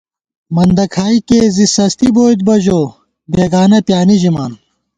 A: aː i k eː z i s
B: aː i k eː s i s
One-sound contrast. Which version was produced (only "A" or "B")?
A